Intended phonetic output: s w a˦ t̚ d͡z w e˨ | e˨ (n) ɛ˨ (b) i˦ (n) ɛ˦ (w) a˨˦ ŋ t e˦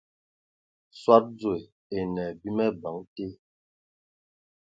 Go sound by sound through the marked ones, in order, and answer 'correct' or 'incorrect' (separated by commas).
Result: correct, correct, incorrect, incorrect